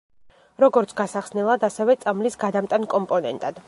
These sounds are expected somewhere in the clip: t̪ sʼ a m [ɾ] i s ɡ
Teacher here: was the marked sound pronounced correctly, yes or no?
no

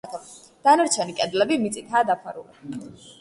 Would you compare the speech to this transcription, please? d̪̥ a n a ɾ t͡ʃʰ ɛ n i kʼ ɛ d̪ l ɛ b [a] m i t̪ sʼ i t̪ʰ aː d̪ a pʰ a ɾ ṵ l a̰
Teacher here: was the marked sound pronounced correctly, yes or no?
no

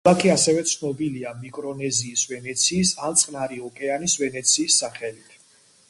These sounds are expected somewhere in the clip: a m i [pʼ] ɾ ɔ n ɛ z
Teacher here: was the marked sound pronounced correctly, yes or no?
no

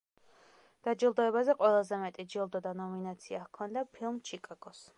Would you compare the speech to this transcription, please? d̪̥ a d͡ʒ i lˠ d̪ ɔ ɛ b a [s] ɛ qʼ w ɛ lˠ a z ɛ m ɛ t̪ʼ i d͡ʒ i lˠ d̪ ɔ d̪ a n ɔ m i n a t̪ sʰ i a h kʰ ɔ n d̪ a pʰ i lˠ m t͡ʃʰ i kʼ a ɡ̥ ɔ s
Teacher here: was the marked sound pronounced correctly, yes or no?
no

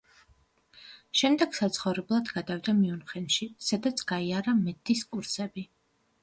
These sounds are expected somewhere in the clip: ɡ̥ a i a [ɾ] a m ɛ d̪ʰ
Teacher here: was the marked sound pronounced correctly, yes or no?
yes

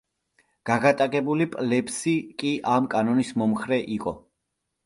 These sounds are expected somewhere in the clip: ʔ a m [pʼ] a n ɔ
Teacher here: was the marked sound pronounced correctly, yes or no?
no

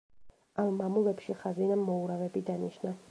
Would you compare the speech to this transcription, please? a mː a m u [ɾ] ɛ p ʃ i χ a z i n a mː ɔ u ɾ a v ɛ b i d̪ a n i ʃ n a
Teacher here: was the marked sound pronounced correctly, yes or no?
no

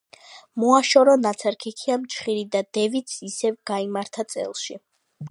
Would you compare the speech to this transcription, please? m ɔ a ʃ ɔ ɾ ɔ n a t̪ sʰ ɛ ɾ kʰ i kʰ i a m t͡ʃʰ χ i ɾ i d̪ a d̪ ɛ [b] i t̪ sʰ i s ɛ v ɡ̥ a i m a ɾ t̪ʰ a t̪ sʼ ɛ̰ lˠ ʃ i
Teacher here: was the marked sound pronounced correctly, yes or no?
no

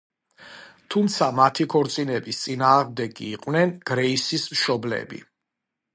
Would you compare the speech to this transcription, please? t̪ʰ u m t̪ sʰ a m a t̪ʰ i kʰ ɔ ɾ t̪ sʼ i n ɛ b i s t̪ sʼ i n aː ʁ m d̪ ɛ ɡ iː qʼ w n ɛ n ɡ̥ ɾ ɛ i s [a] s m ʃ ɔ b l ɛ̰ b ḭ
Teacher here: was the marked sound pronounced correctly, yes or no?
no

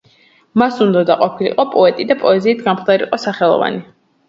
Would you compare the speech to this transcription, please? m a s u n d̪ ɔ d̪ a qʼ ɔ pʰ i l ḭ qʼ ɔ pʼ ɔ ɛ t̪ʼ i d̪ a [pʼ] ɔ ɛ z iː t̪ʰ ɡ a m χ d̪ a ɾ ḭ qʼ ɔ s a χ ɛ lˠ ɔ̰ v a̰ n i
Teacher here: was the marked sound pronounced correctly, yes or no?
yes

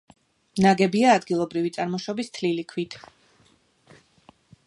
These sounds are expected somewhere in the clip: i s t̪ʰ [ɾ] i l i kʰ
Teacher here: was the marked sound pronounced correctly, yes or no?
no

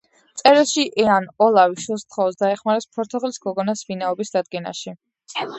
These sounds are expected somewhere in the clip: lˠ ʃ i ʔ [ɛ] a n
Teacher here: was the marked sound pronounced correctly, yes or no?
yes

